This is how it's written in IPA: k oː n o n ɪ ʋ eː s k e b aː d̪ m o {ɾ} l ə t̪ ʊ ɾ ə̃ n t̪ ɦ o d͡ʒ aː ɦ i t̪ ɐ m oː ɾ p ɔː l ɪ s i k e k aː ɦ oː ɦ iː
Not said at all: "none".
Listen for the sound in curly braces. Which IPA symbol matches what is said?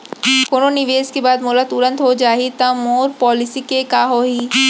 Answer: none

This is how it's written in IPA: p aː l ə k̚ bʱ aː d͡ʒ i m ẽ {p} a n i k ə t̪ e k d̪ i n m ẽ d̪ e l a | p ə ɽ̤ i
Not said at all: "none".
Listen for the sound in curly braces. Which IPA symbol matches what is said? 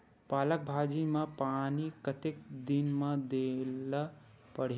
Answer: p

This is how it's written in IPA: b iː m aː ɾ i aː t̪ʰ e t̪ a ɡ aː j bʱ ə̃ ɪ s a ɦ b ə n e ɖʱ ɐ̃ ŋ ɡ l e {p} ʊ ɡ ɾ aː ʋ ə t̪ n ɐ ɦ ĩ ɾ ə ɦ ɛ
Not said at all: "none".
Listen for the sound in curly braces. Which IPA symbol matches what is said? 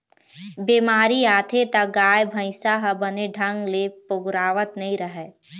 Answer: p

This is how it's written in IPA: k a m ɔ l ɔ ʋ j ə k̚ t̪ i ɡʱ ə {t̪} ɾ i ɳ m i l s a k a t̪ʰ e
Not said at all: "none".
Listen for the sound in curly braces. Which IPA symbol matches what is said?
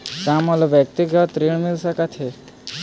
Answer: t̪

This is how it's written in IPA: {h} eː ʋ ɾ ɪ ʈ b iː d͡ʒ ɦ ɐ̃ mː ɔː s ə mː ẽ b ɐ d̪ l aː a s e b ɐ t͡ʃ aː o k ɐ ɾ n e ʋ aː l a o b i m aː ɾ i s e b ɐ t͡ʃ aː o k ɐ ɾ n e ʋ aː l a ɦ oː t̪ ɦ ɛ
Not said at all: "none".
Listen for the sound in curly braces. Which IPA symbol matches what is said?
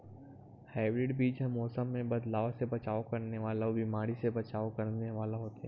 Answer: h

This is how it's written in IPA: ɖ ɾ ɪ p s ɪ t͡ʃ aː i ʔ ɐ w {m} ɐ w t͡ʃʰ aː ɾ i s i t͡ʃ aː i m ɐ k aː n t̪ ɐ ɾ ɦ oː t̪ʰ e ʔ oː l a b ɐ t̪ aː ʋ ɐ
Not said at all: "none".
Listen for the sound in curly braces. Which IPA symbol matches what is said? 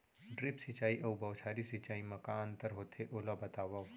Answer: b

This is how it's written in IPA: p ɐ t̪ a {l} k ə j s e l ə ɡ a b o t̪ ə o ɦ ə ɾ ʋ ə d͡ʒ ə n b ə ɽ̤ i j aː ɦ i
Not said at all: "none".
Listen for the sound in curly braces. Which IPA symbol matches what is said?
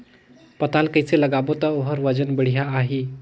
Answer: l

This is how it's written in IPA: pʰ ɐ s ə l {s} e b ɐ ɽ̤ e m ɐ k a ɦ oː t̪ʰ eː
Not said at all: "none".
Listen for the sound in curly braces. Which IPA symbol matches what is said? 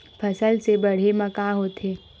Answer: s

